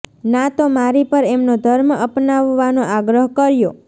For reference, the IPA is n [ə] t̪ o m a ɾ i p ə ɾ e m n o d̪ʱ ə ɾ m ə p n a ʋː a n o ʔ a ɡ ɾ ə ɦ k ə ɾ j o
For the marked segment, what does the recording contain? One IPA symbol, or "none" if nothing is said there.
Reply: a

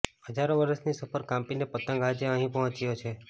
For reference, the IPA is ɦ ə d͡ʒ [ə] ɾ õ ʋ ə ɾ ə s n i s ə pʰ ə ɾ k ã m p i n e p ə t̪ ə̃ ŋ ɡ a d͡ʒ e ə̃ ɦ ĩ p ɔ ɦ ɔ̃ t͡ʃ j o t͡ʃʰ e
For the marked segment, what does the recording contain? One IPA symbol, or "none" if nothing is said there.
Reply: a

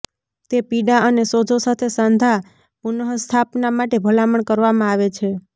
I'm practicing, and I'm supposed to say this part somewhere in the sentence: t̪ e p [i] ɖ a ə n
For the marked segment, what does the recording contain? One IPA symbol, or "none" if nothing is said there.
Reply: i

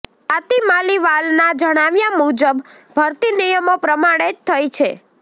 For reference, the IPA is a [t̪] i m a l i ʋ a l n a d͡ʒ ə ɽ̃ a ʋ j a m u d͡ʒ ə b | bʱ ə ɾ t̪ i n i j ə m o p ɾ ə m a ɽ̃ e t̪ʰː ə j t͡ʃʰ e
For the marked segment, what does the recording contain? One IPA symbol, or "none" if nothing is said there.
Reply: t̪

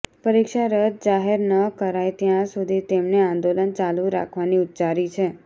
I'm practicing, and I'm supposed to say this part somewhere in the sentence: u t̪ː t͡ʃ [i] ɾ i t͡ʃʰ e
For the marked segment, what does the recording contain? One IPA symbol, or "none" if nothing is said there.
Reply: a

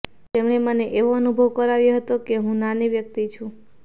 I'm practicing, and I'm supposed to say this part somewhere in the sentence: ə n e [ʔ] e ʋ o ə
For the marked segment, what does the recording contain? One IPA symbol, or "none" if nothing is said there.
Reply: ʔ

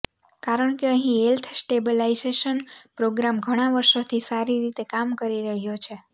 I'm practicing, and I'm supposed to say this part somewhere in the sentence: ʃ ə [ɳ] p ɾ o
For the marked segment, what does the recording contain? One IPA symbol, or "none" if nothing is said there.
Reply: n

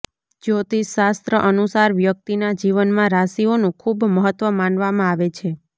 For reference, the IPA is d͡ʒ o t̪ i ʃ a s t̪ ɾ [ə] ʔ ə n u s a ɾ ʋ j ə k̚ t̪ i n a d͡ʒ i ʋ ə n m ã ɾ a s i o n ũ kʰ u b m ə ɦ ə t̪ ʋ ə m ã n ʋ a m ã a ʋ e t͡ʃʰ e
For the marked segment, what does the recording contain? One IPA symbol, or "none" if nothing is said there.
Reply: ə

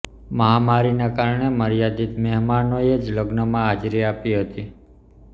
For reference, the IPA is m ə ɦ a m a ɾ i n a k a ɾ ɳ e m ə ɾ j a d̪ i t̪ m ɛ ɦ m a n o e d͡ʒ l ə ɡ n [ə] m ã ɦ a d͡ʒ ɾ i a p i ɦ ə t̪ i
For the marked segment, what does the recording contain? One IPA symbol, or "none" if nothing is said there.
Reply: ə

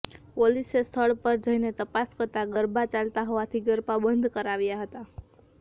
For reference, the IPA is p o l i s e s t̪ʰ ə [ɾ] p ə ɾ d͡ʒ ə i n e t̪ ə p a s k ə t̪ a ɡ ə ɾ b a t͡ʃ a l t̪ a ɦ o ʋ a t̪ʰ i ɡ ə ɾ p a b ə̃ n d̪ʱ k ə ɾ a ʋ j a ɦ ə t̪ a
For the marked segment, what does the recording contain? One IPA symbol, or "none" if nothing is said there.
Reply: ɭ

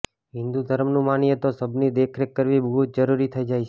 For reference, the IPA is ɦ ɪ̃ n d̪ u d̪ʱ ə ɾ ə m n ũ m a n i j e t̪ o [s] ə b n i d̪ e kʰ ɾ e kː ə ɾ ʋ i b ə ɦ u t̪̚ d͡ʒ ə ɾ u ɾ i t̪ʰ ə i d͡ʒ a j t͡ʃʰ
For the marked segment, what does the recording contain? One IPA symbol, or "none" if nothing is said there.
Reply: s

